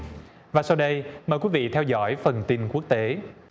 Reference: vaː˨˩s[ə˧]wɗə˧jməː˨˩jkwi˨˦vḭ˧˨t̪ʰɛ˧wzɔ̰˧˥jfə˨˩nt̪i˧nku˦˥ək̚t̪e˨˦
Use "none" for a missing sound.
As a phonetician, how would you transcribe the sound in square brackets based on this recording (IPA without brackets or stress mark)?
a˧